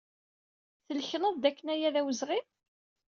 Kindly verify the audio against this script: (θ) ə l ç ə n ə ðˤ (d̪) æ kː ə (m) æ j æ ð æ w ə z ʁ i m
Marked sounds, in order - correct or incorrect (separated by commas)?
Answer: correct, correct, incorrect